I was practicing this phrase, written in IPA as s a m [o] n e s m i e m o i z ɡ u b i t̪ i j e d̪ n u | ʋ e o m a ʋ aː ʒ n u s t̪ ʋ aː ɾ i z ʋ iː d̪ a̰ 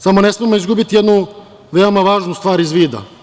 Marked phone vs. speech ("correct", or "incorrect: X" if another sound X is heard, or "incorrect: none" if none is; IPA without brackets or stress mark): correct